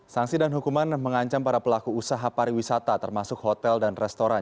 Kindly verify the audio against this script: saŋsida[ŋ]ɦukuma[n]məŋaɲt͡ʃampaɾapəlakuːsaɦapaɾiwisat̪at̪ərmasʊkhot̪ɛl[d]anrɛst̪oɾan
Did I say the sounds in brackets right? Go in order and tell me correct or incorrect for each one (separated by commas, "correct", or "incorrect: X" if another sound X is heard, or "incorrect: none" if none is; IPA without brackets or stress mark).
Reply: incorrect: n, correct, correct